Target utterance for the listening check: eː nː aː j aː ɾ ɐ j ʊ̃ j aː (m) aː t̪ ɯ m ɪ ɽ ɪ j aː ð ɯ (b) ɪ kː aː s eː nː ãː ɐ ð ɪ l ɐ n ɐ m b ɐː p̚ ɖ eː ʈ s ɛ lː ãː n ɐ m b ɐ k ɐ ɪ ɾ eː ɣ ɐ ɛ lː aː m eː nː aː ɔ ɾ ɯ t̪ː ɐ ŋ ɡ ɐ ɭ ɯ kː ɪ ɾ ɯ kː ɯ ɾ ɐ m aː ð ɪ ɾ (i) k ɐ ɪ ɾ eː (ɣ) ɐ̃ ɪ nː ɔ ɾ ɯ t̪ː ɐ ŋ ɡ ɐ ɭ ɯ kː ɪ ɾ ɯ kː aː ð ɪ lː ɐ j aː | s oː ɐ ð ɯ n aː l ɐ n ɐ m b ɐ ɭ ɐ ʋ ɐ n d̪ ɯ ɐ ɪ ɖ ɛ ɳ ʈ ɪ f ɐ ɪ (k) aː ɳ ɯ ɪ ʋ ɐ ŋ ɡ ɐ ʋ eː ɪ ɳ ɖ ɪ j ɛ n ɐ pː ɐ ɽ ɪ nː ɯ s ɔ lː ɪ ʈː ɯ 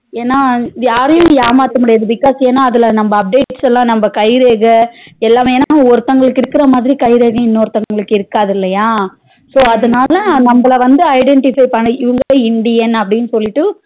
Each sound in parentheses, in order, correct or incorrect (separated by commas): correct, correct, correct, correct, incorrect